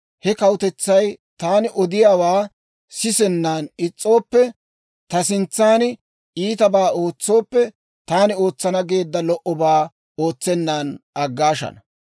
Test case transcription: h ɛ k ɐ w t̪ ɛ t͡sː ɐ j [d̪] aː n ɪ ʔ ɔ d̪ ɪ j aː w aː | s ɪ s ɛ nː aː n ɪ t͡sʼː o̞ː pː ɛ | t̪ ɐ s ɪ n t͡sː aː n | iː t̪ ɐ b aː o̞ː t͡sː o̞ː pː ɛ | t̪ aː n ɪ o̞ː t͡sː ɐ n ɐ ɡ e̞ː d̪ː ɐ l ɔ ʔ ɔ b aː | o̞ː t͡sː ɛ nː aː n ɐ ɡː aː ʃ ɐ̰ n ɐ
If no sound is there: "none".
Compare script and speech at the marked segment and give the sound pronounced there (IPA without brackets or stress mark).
t̪